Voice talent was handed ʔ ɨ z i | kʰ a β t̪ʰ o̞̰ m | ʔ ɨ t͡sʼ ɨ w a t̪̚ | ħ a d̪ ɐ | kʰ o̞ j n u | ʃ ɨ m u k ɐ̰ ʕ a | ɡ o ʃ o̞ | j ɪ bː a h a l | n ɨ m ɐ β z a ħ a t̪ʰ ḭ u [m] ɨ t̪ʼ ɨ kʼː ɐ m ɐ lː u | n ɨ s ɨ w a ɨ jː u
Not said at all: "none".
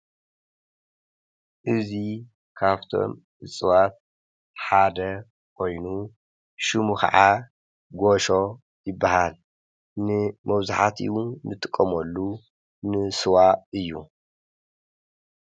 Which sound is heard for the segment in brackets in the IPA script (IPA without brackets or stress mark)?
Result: n